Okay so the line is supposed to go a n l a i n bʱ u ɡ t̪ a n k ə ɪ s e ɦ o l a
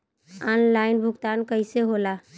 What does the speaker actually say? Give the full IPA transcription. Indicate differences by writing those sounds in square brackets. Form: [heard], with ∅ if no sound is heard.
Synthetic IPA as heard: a n l a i n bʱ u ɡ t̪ a n k ə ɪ s e ɦ o l a